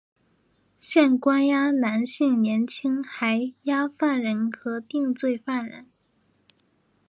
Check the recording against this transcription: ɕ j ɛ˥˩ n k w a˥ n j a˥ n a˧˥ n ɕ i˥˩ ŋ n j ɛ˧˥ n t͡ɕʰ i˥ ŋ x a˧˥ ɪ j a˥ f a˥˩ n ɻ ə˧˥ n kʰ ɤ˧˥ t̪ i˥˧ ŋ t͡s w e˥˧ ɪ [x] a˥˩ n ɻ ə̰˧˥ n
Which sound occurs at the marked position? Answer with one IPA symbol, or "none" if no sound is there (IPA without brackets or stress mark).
f